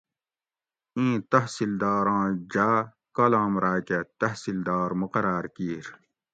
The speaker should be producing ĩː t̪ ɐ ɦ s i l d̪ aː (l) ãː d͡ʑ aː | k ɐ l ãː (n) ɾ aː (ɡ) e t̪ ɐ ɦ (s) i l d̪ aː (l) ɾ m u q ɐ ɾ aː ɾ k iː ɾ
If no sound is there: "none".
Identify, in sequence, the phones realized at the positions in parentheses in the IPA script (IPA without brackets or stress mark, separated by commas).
ɾ, m, k, s, none